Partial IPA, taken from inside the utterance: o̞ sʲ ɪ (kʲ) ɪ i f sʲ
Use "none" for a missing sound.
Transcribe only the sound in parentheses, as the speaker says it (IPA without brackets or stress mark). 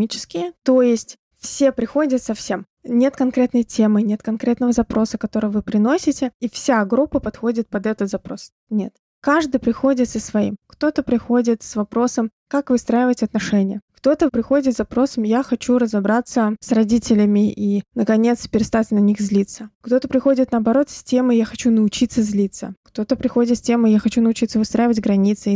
tʲ